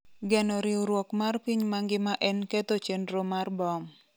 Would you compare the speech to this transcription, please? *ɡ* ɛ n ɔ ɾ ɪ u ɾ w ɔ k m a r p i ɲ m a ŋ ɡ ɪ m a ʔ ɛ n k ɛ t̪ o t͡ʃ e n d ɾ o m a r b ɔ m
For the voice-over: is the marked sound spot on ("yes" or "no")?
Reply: yes